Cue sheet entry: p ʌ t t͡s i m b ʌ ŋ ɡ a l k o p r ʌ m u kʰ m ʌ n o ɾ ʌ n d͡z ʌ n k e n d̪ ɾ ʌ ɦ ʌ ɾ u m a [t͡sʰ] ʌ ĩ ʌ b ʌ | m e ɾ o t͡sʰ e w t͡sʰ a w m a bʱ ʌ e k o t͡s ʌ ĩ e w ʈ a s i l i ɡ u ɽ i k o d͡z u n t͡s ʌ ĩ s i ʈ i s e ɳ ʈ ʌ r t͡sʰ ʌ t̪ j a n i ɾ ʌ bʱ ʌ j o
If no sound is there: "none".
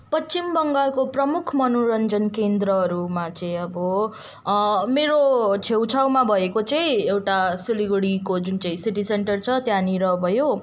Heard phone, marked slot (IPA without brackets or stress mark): t͡s